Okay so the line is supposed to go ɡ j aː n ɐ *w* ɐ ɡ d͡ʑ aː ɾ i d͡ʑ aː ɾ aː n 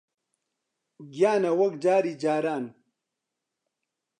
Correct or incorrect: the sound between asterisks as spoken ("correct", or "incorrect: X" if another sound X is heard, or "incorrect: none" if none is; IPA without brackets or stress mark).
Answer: correct